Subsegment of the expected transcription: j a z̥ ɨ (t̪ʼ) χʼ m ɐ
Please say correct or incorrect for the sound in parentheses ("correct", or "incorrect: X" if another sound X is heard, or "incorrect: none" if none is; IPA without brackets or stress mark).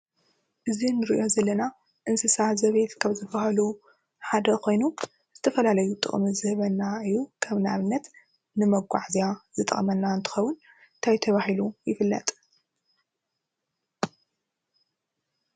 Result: correct